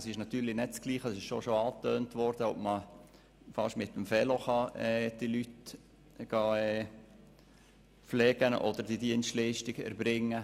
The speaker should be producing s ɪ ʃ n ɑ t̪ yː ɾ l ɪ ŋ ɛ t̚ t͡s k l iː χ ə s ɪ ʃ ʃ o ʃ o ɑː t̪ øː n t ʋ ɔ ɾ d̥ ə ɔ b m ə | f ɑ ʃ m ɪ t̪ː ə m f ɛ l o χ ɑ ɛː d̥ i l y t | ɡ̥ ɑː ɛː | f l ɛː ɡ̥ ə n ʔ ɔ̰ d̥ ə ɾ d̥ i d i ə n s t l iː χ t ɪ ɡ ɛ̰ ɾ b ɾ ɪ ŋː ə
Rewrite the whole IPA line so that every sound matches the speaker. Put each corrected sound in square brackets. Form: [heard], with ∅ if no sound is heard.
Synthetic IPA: s ɪ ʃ n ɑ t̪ yː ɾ l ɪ [n] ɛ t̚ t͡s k l iː χ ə s ɪ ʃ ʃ o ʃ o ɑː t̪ øː n t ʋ ɔ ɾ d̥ ə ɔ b m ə | f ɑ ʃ m ɪ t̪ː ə m f ɛ l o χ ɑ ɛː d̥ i l y t | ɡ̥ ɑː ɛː | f l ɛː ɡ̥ ə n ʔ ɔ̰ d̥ ə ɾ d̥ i d i ə n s t l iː [ʃ] t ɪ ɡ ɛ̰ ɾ b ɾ ɪ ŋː ə